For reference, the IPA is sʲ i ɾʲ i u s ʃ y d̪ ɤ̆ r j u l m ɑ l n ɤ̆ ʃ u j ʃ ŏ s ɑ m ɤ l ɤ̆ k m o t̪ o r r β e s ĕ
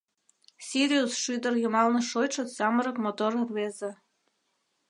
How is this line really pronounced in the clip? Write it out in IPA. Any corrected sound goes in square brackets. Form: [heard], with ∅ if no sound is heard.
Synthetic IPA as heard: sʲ i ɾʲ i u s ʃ y d̪ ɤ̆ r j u [∅] m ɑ l n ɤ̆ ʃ [o] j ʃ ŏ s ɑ m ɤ [ɾ] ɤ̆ k m o t̪ o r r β e [z] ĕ

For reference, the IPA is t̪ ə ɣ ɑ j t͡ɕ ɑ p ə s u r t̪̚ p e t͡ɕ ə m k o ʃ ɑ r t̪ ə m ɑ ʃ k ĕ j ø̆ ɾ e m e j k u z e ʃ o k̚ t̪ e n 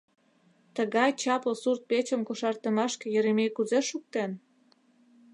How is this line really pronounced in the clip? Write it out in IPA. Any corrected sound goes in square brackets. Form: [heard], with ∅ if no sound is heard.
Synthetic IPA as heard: t̪ ə ɣ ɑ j t͡ɕ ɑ p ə s u r t̪̚ p e t͡ɕ ə m k o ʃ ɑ r t̪ ə m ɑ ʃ k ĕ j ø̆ ɾ e m e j k u z e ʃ [u] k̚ t̪ e n

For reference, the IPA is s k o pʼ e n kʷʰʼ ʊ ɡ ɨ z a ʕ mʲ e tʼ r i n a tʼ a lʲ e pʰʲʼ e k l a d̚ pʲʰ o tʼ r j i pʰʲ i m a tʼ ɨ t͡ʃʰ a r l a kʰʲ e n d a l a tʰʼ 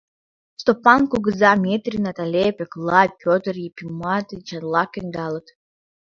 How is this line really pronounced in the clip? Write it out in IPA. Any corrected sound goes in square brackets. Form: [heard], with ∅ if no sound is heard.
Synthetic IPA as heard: s [t] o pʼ [a] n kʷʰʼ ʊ ɡ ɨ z a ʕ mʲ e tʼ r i n a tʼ a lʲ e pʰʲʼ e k l a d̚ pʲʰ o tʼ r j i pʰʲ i m a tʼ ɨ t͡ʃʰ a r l a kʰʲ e n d a l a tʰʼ

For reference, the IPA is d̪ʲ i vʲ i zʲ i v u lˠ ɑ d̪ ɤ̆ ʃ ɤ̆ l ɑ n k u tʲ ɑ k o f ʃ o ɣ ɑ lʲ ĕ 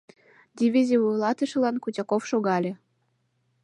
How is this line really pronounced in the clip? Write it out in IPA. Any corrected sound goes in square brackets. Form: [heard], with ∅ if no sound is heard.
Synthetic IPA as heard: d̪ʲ i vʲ i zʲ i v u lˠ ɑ [t̪] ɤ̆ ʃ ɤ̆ l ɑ n k u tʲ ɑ k o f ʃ o ɣ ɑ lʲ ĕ

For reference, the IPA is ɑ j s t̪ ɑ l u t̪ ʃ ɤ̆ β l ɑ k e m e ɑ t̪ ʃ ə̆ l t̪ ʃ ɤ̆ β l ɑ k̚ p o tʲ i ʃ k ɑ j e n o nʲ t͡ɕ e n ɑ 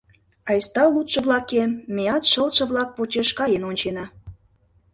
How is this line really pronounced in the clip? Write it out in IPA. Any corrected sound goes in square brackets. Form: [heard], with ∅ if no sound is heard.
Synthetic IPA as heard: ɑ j s t̪ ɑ l u t̪ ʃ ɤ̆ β l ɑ k e m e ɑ t̪ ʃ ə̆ l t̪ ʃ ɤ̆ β l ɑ k̚ p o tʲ [e] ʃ k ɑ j e n o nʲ t͡ɕ e n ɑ

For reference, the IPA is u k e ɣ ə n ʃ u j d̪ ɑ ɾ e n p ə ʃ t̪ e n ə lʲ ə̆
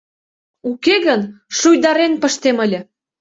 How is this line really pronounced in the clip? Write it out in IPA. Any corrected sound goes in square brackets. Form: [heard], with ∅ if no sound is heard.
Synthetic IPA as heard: u k e ɣ ə n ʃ u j d̪ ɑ ɾ e n p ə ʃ t̪ e [m] ə lʲ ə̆

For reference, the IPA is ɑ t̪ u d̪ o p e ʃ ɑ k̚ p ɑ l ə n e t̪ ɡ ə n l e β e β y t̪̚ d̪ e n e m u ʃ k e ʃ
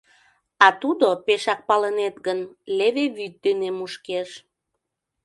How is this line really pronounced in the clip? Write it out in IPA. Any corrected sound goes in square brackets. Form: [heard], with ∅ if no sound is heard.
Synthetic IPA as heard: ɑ t̪ u d̪ o p e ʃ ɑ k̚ p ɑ l ə n e t̪ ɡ ə n l e β e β y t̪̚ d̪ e n e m u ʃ k e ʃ

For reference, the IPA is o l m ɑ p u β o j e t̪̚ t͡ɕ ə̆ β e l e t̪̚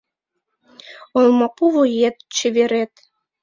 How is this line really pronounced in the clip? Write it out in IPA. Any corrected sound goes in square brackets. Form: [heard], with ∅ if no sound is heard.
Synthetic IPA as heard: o l m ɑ p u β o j e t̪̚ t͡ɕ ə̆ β e [ɾ] e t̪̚

